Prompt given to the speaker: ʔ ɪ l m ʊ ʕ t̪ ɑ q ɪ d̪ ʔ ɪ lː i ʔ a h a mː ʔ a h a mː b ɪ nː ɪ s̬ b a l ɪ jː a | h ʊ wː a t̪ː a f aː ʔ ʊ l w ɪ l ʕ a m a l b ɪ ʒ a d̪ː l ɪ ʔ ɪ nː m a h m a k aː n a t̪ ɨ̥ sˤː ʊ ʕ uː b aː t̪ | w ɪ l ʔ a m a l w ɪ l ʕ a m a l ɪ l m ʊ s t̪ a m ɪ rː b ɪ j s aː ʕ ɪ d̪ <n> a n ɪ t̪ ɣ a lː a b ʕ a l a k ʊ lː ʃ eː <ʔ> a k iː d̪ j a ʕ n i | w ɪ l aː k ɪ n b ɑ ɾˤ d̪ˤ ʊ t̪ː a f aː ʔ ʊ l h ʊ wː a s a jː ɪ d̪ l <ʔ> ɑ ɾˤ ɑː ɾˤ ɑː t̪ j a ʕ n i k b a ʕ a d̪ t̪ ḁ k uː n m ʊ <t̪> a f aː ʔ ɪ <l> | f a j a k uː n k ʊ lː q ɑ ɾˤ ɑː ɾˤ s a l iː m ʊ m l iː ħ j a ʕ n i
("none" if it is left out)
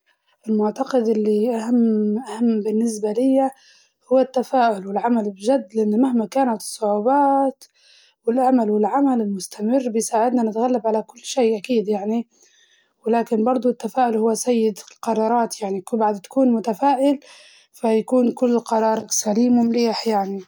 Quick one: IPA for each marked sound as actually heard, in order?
n, ʔ, q, t̪, l

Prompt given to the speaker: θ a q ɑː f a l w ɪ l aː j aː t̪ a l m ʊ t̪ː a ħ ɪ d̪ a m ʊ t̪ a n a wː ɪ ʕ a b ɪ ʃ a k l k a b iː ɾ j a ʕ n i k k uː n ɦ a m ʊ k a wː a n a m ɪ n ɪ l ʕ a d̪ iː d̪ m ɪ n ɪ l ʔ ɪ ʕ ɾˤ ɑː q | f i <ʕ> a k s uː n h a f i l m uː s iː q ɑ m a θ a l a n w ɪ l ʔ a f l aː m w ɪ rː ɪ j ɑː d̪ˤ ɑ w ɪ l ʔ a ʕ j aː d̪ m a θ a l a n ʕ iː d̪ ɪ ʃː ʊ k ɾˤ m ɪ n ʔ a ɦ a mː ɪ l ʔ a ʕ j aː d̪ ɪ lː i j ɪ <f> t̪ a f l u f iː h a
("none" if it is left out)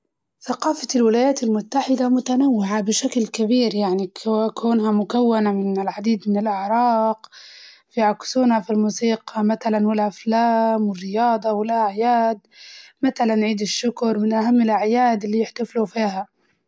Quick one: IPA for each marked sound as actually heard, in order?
ʕ, ħ

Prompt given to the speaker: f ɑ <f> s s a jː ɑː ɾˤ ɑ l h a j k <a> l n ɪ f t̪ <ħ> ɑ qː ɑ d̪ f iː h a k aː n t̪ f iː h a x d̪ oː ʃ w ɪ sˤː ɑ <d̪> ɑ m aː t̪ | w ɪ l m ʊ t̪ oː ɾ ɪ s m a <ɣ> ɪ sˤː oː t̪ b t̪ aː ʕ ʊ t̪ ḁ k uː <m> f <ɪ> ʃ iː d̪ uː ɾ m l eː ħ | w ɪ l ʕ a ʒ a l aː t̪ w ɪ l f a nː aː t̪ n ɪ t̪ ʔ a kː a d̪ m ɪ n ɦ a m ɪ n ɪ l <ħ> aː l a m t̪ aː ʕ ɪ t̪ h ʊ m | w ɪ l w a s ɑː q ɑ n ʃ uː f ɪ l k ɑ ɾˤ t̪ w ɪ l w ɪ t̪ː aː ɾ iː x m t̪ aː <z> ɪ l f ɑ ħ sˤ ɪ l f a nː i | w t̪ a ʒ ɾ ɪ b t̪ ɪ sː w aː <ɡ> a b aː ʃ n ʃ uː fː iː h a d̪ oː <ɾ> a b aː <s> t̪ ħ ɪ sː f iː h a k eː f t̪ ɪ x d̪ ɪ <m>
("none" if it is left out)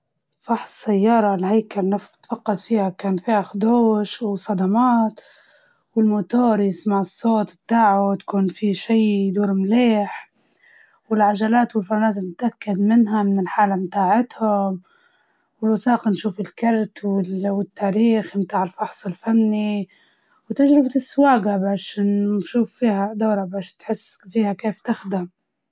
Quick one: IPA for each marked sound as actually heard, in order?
ħ, a, f, d̪, ʕ, n, i, ħ, ʕ, ɡ, ɾ, ʃ, m

